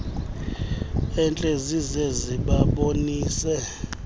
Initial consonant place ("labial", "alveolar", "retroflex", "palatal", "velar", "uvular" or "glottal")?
alveolar